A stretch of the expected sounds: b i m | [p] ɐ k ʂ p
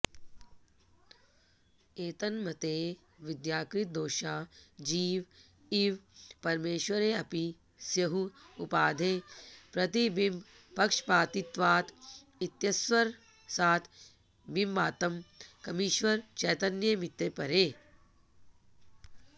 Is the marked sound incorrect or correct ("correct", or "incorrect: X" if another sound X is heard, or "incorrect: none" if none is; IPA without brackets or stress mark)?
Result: correct